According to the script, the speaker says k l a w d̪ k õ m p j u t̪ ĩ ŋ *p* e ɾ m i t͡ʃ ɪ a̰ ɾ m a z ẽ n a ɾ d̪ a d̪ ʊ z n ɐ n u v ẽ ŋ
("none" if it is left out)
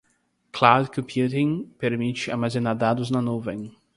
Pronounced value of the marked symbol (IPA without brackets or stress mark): p